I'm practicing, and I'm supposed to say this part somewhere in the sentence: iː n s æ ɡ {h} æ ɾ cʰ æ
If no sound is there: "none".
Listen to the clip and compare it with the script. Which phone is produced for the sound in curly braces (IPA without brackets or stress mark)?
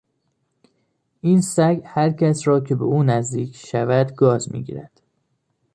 h